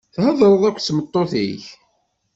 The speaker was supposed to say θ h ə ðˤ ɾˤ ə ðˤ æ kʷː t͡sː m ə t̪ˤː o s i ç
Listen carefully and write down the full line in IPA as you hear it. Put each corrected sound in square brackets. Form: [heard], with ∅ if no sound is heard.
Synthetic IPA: θ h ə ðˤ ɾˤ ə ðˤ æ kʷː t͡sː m ə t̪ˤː o [θ] i ç